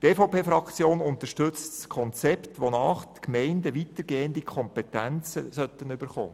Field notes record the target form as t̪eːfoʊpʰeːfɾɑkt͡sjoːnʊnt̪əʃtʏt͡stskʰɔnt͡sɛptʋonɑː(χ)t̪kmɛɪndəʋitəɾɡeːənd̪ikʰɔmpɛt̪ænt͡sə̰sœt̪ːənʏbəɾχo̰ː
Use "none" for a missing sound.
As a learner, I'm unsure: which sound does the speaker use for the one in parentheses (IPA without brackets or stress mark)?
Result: χ